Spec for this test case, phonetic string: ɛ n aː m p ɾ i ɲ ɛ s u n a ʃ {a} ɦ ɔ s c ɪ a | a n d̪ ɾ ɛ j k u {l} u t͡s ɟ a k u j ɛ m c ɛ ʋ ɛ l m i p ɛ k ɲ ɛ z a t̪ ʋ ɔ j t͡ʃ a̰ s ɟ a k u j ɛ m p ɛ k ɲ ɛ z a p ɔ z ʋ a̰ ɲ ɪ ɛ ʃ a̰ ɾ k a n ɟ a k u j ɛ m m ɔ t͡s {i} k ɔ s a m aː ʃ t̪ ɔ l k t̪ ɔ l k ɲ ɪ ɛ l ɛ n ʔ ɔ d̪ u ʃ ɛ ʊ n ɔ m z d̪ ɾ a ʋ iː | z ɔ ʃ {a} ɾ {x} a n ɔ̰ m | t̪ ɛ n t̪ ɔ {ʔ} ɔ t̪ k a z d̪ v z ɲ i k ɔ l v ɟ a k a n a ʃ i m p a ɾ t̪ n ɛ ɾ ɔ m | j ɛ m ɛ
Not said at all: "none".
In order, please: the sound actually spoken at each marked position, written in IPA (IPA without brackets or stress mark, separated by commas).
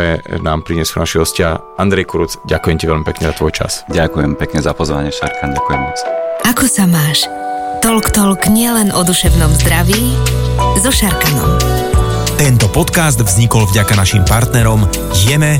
i, ɾ, a, a, k, p